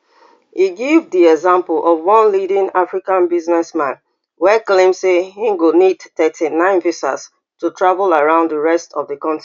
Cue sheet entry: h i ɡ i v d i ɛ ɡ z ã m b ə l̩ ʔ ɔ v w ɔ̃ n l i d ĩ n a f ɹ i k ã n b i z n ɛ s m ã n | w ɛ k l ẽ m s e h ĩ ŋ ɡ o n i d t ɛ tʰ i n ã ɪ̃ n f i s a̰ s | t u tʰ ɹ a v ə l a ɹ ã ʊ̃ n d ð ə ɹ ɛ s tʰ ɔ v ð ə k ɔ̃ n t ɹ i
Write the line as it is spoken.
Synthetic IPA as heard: h i ɡ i v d i ɛ ɡ z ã m p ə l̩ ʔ ɔ v w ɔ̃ n l i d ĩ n a f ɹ i k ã n b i z n ɛ s m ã n | w ɛ k l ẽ m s e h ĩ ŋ ɡ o n i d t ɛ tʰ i n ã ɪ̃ n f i s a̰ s | t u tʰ ɹ a v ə l a ɹ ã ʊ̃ n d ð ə ɹ ɛ s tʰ ɔ v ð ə k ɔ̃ n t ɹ i